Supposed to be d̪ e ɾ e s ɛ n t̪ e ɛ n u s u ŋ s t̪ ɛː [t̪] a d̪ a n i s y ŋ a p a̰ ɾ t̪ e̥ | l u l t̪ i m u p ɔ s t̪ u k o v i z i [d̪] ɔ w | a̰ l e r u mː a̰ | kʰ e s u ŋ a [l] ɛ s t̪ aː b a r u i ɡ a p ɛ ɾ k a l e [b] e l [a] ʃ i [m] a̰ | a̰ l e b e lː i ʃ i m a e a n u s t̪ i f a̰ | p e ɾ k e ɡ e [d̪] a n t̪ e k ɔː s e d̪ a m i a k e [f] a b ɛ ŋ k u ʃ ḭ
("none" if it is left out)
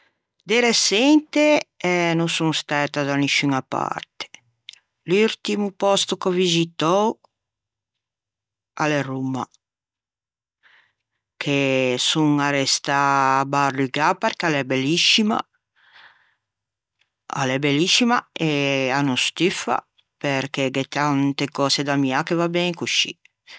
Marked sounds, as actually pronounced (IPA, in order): t̪, t̪, ɾ, b, i, m, t̪, v

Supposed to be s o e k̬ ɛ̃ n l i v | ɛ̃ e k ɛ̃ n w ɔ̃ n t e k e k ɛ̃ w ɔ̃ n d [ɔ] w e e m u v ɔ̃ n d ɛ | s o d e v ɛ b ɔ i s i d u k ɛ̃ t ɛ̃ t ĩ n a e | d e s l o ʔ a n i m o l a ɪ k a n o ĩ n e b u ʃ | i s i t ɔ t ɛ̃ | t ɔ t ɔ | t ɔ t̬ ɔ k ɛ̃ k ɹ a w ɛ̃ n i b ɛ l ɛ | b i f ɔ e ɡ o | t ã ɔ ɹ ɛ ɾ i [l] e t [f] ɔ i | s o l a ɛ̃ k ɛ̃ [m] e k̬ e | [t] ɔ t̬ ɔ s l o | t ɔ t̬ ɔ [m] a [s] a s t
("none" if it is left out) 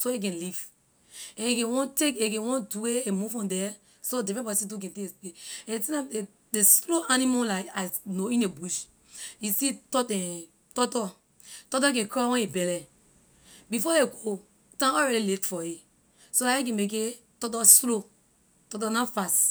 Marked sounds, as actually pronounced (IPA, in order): u, l, f, m, t, n, f

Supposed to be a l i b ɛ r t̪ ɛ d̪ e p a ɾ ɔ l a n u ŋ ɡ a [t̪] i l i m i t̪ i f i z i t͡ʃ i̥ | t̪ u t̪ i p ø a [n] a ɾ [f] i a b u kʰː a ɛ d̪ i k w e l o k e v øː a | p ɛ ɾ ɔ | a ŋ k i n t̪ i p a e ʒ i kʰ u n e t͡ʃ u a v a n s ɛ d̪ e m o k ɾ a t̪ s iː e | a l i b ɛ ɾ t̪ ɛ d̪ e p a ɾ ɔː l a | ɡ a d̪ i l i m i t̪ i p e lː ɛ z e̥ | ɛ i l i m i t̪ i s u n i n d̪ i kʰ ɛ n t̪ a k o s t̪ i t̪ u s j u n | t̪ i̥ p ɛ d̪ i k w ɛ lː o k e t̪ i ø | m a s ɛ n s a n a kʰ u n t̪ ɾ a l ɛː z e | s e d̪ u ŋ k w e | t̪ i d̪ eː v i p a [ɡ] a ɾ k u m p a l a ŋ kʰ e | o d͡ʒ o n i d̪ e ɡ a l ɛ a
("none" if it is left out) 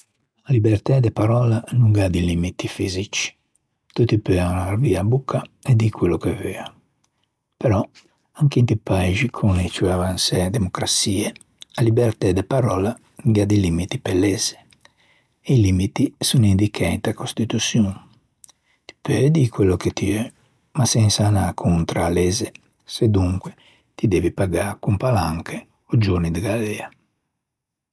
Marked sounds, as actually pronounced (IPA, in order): d̪, n, v, ɡ

